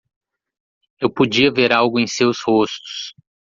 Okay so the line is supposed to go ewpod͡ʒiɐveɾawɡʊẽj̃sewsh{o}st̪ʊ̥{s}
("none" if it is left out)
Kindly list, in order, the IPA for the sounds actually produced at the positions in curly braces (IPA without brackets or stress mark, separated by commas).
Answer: o, s